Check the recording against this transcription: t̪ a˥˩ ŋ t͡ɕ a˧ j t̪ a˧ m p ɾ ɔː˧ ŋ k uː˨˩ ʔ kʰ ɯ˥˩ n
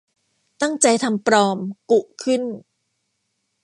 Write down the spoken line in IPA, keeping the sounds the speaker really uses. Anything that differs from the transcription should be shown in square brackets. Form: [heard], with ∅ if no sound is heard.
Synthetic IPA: t̪ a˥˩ ŋ t͡ɕ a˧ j [t̪ʰ] a˧ m p ɾ ɔː˧ [m] k [u˨˩] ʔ kʰ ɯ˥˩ n